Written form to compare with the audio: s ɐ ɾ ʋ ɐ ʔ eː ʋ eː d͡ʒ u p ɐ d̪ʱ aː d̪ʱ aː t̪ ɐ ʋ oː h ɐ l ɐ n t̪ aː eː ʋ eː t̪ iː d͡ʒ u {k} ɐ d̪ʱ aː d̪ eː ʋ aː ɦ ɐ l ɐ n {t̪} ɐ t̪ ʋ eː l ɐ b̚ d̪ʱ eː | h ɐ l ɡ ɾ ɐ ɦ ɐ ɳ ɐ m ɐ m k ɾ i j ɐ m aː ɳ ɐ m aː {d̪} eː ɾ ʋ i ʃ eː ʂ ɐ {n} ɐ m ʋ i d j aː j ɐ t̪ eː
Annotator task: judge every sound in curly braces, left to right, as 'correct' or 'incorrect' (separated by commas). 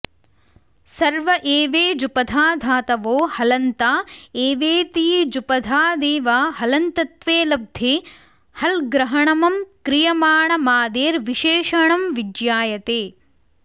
incorrect, correct, correct, incorrect